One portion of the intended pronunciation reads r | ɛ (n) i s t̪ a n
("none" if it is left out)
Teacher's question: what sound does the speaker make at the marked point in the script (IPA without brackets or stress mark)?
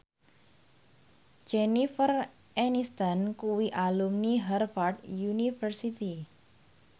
n